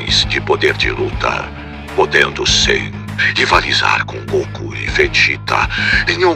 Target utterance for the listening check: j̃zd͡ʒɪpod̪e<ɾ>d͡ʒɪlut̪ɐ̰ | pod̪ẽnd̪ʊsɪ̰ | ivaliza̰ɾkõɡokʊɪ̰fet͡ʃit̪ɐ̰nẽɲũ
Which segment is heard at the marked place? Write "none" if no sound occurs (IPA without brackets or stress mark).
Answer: ɾ